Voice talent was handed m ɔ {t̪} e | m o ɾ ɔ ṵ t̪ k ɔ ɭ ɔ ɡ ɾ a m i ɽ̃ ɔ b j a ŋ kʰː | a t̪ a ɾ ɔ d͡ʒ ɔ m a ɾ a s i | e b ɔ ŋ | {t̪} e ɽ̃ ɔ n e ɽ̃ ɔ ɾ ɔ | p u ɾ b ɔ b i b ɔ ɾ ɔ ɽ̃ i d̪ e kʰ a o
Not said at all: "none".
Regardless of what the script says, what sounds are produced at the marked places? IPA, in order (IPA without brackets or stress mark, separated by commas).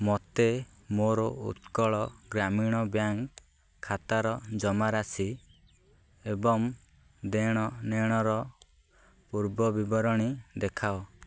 t̪, d̪